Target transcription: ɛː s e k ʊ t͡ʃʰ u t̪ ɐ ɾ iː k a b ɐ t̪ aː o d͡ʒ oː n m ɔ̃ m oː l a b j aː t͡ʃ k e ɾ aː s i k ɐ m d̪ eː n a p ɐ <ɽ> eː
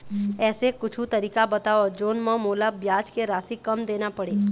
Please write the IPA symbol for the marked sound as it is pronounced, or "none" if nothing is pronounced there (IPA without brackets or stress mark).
ɽ